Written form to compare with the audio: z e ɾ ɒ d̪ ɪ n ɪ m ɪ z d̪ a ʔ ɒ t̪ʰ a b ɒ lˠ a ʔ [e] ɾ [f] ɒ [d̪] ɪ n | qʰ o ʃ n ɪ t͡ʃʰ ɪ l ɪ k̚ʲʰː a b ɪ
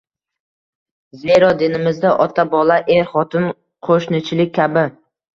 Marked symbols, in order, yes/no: yes, no, no

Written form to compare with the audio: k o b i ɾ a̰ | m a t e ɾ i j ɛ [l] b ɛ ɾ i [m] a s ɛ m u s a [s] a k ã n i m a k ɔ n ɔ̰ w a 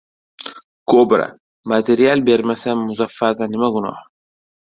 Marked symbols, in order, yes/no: yes, yes, no

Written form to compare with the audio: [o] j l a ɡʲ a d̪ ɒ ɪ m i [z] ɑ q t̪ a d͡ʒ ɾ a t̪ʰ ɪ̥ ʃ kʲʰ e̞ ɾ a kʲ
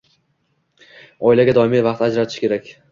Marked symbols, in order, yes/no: no, no

